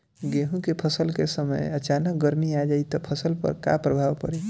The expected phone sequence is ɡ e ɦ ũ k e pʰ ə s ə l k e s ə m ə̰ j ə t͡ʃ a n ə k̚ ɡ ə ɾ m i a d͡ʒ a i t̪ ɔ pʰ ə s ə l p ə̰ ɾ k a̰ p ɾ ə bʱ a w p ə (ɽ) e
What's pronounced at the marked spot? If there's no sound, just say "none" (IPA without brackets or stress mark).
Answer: ɾ